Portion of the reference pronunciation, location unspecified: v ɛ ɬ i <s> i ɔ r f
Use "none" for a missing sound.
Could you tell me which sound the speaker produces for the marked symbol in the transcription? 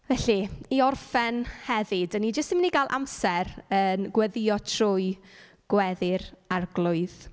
none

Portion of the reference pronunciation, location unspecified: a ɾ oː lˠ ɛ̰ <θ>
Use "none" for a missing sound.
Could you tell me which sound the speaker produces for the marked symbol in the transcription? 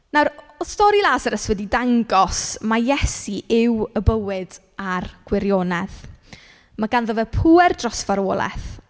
θ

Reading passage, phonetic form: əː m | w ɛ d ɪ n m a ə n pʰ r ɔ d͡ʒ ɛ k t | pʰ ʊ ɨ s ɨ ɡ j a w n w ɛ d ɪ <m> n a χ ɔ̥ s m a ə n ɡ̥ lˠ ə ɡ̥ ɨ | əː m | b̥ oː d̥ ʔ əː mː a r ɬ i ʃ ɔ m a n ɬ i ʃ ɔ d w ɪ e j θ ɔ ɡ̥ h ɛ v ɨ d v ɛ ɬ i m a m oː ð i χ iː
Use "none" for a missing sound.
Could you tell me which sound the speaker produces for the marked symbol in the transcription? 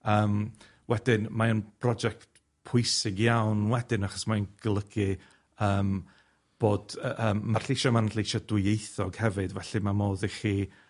none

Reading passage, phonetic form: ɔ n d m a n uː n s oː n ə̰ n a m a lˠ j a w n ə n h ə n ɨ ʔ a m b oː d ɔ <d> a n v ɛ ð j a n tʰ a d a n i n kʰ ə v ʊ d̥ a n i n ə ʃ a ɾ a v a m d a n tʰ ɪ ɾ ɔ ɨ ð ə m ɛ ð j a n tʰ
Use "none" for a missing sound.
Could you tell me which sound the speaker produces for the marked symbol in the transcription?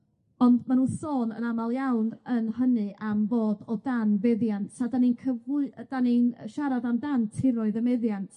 d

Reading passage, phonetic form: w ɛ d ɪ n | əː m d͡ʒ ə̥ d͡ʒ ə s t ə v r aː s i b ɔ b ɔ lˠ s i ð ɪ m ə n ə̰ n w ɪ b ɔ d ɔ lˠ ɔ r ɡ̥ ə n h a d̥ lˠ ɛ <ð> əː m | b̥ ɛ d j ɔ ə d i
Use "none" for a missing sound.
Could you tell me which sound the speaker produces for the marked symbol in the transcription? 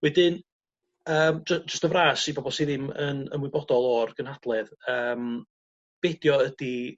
ð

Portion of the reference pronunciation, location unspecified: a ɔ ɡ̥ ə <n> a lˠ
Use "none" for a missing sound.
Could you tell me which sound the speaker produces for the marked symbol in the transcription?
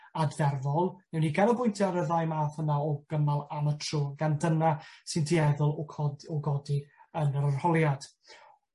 m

